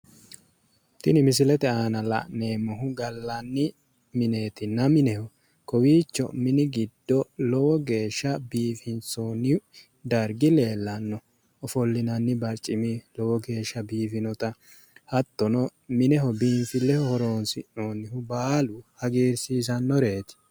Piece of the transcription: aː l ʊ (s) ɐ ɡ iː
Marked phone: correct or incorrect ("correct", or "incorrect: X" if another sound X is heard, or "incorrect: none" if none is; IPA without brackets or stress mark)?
incorrect: h